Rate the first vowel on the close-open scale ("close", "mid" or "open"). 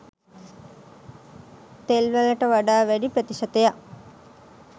mid